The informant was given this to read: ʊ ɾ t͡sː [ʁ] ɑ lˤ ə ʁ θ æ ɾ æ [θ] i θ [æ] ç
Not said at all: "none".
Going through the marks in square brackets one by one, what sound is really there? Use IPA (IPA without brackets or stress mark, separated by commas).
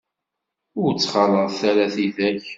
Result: χ, θ, æ